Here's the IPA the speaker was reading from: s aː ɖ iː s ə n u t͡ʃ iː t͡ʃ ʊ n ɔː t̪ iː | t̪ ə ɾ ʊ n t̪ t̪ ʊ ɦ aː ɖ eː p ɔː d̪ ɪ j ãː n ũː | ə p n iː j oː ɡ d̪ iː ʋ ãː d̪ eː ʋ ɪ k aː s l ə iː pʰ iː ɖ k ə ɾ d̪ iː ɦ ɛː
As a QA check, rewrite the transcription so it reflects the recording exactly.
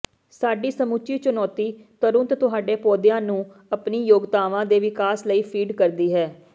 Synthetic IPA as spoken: s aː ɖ iː s ə m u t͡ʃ iː t͡ʃ ʊ n ɔː t̪ iː | t̪ ə ɾ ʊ n t̪ t̪ ʊ ɦ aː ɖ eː p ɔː d̪ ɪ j ãː n ũː | ə p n iː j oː ɡ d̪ aː ʋ ãː d̪ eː ʋ ɪ k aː s l ə iː pʰ iː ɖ k ə ɾ d̪ iː ɦ ɛː